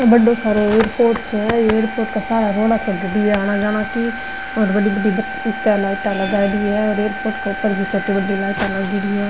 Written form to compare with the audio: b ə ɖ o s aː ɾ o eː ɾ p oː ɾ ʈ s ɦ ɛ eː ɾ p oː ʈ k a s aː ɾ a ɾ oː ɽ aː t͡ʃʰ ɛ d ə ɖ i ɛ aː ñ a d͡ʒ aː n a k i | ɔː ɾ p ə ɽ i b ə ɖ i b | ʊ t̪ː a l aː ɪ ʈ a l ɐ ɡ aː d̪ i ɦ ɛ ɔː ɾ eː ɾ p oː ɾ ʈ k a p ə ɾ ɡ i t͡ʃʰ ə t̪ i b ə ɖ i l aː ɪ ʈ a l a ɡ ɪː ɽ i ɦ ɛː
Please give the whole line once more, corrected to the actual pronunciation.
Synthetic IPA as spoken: b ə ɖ o s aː ɾ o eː ɾ p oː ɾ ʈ s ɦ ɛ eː ɾ p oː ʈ k a s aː ɾ a ɾ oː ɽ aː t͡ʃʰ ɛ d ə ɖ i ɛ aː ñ a d͡ʒ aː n a k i | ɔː ɾ b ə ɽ i b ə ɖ i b | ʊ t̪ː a l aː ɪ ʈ a l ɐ ɡ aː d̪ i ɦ ɛ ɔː ɾ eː ɾ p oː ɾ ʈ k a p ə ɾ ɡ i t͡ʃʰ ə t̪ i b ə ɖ i l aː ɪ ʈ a l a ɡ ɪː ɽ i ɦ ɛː

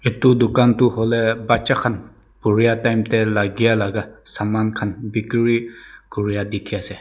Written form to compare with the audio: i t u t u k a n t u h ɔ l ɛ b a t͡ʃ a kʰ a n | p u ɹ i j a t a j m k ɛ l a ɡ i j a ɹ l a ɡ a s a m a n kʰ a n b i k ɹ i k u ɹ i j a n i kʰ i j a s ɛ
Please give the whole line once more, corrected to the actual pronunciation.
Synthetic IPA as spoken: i t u d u k a n t u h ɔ l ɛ b a t͡ʃ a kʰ a n | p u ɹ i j a t a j m t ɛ l a ɡ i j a l a ɡ a s a m a n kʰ a n b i k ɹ i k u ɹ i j a d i kʰ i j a s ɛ

